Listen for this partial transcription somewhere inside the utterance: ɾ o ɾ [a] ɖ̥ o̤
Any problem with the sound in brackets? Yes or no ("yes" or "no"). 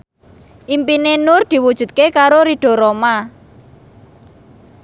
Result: yes